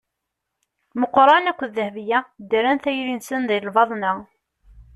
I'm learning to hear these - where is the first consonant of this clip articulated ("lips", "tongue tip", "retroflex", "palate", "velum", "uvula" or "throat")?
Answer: lips